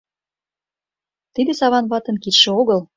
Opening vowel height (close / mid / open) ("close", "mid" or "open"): close